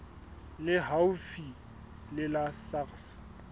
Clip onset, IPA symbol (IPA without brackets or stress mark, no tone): l